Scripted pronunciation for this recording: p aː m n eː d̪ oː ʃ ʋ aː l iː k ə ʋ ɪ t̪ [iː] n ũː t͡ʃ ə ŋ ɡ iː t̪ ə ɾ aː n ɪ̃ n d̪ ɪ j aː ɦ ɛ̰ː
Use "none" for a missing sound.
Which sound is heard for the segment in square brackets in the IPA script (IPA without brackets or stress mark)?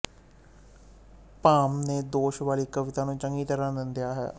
aː